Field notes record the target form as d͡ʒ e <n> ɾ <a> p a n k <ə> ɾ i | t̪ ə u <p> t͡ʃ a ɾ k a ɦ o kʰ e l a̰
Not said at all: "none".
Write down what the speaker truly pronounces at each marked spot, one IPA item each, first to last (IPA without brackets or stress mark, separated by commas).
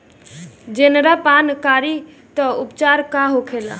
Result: n, a, a, p